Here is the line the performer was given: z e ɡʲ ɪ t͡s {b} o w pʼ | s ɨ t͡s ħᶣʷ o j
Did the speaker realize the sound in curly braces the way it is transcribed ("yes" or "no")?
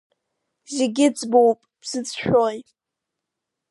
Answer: yes